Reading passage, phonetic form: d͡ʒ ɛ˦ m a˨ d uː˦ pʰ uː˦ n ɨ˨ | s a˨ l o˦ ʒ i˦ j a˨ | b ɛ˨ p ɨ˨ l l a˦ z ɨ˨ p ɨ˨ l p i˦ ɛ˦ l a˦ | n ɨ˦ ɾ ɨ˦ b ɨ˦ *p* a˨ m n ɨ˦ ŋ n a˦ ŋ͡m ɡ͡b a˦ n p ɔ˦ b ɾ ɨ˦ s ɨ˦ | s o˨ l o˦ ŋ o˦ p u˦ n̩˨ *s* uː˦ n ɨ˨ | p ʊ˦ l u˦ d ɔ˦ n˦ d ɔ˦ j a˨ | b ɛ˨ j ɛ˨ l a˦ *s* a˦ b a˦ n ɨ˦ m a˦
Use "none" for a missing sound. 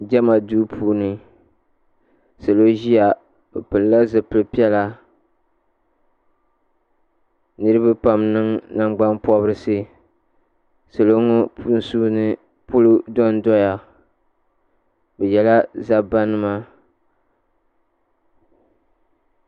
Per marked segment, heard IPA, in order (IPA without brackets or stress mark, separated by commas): p, s, z